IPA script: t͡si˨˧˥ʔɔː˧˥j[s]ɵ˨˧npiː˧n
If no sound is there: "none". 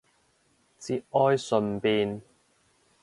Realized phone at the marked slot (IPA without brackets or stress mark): s